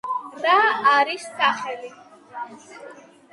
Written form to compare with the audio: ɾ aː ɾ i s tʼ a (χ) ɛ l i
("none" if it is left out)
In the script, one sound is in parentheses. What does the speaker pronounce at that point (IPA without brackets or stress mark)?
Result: χ